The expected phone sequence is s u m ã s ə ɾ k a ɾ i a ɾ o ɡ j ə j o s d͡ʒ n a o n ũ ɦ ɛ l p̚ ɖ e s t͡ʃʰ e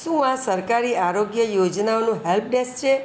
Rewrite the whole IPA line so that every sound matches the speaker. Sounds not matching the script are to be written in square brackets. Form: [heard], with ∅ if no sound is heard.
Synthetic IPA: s u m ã s ə ɾ k a ɾ i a ɾ o ɡ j ə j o [∅] d͡ʒ n a o n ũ ɦ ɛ l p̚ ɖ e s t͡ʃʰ e